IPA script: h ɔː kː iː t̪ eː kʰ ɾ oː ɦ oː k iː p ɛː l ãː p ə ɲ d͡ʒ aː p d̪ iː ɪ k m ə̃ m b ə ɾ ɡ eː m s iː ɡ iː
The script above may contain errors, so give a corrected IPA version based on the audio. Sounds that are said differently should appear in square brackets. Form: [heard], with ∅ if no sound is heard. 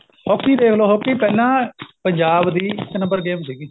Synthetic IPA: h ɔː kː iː [d̪] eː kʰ [l] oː ɦ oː k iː p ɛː l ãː p ə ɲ d͡ʒ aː [b] d̪ iː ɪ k [n] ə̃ m b ə ɾ ɡ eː m s iː ɡ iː